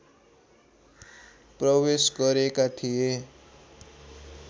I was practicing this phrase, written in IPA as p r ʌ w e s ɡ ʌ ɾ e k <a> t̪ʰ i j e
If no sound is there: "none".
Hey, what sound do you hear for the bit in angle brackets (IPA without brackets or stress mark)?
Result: a